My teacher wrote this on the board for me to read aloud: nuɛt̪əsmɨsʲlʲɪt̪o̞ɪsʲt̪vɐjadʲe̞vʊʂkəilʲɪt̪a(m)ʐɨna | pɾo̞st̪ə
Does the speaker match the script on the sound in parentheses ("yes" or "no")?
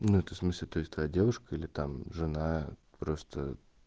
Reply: yes